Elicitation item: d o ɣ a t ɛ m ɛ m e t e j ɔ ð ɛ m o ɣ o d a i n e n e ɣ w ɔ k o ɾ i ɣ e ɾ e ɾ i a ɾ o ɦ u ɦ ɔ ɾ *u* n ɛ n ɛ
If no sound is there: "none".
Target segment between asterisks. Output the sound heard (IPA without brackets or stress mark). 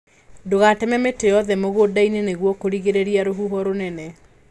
o